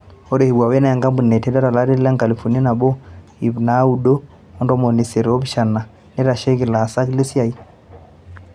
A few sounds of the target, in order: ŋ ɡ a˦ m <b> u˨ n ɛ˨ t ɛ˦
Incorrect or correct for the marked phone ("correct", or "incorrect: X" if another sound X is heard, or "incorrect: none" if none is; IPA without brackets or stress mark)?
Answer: correct